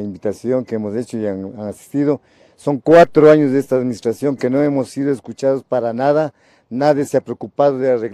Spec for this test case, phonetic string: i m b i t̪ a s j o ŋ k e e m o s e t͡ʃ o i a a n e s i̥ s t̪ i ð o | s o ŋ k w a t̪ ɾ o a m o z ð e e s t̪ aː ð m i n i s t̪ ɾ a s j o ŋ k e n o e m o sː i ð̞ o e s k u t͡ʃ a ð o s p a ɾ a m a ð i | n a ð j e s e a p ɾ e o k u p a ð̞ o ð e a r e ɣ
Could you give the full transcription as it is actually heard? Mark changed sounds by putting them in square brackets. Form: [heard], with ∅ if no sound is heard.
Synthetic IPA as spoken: i m b i t̪ a s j o ŋ k e e m o s e t͡ʃ o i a a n [a] s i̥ s t̪ i ð o | s o ŋ k w a t̪ ɾ o a [ɲ] o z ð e e s t̪ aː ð m i n i s t̪ ɾ a s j o ŋ k e n o e m o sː i ð̞ o e s k u t͡ʃ a ð o s p a ɾ a [n] a ð [a] | n a ð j e s e a p ɾ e o k u p a ð̞ o ð e a r e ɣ